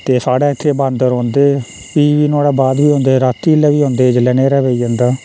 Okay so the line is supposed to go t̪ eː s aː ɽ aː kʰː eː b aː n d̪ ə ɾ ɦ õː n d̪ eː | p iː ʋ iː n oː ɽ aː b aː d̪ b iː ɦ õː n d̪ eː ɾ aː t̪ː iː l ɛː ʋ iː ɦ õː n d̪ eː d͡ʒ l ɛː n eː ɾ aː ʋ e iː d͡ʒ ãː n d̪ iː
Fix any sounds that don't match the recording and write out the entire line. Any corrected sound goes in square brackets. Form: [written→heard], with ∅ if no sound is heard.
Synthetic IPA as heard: t̪ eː s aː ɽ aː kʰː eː b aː n d̪ ə ɾ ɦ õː n d̪ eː | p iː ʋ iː n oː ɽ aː b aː d̪ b iː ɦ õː n d̪ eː ɾ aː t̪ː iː l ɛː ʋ iː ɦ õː n d̪ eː d͡ʒ l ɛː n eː ɾ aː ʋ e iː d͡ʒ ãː n d̪ [iː→aː]